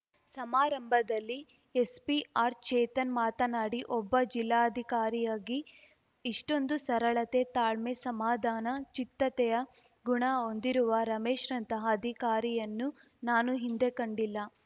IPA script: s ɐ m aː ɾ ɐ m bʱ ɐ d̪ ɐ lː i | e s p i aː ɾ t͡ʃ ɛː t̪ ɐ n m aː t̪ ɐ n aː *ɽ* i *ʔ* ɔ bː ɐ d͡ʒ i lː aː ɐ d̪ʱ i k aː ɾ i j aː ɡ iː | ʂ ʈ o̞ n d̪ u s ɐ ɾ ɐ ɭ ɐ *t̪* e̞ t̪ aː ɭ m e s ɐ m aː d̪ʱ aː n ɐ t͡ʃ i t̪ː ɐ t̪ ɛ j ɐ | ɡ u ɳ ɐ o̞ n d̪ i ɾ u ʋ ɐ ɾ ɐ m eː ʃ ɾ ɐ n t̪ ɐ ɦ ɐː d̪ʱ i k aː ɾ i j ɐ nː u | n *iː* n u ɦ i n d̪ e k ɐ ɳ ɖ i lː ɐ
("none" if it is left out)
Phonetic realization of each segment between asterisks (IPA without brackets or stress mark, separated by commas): ɽ, ʔ, t̪, aː